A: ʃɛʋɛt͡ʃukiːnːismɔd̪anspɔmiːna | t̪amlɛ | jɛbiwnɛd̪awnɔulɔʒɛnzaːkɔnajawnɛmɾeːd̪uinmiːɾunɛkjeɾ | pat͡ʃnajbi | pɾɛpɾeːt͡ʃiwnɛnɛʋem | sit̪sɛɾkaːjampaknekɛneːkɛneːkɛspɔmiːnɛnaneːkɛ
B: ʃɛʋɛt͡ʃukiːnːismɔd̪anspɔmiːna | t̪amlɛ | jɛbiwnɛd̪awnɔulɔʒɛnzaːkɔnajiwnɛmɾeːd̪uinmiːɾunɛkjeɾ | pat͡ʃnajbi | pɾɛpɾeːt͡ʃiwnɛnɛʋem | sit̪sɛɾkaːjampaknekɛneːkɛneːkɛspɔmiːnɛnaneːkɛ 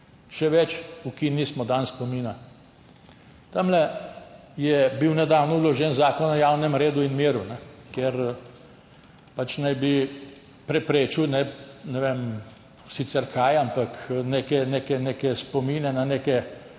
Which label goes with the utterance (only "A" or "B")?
A